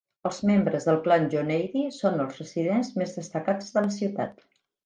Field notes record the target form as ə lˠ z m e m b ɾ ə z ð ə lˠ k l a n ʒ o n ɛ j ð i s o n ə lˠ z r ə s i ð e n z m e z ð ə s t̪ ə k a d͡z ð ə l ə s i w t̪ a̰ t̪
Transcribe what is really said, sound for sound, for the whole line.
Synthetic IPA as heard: ə lˠ z m e m b ɾ ə z ð ə lˠ k l a n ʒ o n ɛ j ð i s o n ə lˠ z r ə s i ð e n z m e z ð ə s t̪ ə k a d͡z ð ə l ə s i w t̪ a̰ t̪